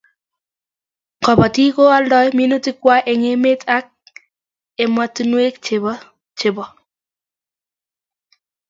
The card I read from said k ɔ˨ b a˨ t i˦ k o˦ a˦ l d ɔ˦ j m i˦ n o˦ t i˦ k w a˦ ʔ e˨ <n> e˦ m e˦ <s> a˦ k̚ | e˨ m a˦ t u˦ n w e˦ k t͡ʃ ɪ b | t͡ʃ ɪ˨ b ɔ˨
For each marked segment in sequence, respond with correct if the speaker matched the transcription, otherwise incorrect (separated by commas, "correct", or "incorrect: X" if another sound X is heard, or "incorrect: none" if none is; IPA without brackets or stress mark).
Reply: incorrect: ŋ, incorrect: t